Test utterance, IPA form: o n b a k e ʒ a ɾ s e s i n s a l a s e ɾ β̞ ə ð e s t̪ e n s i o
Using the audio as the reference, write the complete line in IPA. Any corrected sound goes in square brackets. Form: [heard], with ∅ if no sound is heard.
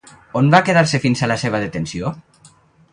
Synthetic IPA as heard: o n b a k e [ð] a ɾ s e [f] i n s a l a s e [∅] β̞ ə ð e [∅] t̪ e n s i o